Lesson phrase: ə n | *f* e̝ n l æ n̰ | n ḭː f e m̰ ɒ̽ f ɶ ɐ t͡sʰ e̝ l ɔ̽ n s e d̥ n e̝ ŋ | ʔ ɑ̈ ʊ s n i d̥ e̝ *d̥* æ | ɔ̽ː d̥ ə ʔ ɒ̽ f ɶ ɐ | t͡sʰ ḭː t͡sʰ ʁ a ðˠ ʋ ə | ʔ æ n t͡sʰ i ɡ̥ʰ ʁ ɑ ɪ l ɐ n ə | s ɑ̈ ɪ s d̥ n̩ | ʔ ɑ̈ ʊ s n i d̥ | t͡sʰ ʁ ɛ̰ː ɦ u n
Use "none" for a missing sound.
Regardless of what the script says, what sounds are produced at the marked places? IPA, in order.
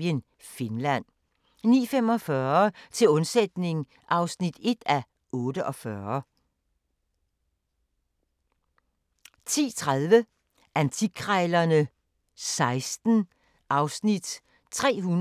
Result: f, d̥

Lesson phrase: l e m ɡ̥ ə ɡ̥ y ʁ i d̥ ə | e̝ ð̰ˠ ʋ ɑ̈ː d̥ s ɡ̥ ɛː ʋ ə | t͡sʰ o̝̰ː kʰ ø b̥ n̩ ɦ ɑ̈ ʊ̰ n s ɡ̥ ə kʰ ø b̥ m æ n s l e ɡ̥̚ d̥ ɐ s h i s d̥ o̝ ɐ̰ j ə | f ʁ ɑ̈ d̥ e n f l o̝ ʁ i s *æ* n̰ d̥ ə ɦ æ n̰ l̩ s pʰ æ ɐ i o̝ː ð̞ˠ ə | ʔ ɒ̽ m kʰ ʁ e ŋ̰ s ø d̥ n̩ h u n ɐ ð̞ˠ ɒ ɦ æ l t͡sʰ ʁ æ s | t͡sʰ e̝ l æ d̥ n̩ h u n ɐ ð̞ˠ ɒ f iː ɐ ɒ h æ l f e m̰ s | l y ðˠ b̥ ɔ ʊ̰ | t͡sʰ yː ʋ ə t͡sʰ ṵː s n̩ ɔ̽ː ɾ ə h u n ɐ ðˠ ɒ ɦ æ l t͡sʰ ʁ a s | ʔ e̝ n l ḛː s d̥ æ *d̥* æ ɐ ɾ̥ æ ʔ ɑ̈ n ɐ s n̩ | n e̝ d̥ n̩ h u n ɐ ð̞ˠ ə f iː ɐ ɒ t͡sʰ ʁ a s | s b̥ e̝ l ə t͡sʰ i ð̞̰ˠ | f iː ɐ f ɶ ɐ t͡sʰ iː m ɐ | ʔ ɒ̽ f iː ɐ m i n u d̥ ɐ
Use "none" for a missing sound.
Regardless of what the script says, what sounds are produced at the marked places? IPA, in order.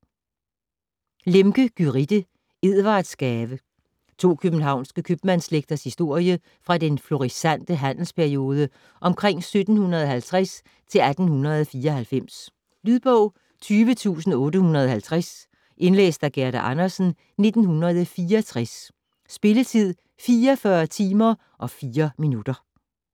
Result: æ, ɡ̥

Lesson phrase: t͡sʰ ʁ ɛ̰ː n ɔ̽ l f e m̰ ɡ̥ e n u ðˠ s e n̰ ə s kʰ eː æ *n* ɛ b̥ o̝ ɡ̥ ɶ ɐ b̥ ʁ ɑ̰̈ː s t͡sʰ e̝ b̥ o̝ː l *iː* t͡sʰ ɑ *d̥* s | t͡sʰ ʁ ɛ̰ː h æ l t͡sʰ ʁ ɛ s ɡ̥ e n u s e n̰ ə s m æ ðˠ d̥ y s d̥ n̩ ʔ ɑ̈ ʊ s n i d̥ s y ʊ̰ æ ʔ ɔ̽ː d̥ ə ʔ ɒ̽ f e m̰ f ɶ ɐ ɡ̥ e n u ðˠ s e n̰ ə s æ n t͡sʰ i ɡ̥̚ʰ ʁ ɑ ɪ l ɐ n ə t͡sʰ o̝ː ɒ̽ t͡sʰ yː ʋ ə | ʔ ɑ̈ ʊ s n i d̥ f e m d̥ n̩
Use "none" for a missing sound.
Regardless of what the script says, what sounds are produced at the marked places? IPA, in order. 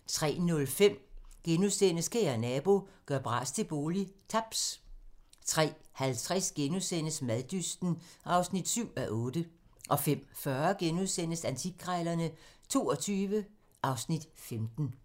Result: n, i, b̥

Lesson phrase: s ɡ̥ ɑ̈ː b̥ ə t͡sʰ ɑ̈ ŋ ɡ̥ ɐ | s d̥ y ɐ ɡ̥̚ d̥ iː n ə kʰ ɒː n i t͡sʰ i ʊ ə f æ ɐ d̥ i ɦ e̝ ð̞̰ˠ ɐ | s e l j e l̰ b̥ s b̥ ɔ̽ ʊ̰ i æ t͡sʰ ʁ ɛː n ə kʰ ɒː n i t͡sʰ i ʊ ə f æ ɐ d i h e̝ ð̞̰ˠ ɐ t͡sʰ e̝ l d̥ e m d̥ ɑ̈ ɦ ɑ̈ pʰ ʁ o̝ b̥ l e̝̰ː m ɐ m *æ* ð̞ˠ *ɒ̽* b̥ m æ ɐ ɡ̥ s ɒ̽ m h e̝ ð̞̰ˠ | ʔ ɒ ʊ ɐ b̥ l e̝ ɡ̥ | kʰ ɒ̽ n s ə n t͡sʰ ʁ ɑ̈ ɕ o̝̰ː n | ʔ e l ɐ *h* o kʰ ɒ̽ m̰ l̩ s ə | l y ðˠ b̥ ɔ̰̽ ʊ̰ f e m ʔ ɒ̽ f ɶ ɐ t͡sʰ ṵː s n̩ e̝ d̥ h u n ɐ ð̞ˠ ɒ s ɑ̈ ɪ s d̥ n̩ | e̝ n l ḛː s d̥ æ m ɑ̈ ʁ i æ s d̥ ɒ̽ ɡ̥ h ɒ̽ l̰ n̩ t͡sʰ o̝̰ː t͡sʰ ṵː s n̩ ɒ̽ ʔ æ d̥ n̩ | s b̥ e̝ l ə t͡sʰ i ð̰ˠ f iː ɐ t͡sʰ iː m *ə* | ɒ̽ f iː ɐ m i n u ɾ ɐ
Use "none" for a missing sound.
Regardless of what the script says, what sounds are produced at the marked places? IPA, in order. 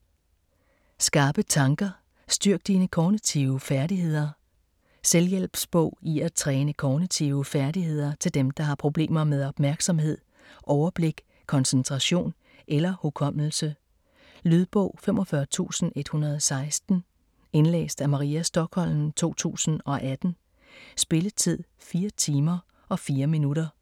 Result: e, ɒ̽, h, ɐ

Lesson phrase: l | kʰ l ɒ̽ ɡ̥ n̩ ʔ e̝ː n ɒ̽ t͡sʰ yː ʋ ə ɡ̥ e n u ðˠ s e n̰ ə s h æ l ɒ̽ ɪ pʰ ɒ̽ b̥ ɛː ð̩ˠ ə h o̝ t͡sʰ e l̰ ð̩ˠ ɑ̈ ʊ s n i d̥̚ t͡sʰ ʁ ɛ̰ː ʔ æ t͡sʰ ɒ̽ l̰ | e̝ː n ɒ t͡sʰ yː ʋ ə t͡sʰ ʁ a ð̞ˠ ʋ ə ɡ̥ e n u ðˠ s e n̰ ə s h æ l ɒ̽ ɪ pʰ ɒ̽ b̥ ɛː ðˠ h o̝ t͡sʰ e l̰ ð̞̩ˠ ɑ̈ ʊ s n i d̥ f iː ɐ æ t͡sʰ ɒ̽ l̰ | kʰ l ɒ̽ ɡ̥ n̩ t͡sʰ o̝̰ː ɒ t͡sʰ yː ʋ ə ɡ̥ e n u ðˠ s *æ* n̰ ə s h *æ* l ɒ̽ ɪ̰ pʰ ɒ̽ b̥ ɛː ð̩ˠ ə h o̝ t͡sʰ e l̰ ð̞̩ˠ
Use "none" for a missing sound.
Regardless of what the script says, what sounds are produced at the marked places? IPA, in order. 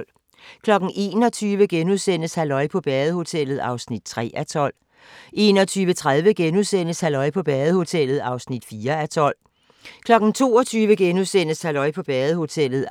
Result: e, æ

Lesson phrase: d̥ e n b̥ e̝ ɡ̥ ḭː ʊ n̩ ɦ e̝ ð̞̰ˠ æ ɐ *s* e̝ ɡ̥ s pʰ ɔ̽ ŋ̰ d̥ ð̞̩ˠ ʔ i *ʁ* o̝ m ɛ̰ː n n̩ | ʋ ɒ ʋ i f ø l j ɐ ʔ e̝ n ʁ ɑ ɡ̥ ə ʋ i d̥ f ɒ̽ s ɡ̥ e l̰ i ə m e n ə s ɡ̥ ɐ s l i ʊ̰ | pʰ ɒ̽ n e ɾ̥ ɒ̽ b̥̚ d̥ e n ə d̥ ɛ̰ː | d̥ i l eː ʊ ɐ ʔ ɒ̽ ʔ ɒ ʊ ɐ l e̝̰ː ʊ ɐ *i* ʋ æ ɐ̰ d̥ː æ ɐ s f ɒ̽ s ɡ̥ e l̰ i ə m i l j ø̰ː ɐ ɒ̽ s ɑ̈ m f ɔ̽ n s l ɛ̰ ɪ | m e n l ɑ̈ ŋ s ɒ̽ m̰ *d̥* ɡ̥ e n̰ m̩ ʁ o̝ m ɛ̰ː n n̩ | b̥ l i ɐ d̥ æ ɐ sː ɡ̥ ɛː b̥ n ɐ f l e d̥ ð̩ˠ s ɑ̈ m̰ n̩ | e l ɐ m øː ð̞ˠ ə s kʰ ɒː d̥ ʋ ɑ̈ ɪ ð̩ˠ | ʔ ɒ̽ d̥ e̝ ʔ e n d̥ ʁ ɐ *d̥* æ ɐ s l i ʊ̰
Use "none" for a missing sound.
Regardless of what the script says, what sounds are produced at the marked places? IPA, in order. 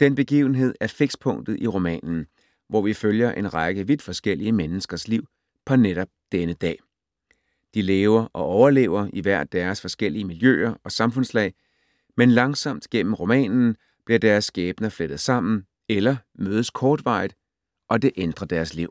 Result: f, ʁ, i, d̥, d̥

